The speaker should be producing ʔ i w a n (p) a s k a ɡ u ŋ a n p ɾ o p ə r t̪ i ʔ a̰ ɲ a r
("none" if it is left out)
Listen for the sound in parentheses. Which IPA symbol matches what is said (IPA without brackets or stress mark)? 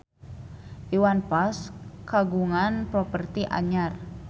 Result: p